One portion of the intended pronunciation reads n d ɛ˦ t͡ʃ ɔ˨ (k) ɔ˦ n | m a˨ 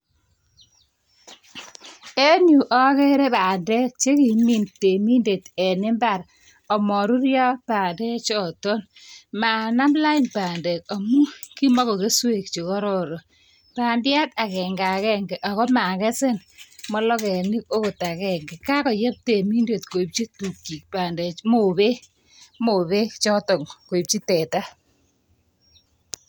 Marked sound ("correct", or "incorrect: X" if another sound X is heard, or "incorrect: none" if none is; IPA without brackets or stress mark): incorrect: t